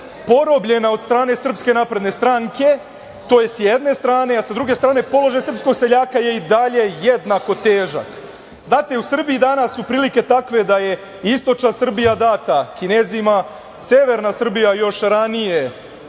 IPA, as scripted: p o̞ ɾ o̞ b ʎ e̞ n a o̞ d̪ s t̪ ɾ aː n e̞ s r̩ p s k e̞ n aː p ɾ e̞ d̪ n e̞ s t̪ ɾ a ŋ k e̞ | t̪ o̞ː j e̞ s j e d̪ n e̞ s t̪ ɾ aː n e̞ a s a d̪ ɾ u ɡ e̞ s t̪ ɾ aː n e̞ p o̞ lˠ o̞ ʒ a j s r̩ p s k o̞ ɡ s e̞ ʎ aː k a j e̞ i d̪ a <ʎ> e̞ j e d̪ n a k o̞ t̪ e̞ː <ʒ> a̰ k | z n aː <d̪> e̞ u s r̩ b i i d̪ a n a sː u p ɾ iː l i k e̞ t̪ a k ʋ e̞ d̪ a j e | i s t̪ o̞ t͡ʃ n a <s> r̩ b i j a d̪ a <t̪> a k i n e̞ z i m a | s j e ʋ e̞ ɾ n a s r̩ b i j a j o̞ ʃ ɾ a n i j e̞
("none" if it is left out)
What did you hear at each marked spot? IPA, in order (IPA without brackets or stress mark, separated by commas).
ʎ, ʒ, t̪, s, t̪